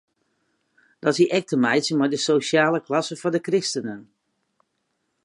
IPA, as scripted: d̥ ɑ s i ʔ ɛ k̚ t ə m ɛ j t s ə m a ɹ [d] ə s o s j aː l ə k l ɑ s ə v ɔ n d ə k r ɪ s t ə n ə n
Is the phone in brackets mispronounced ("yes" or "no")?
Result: no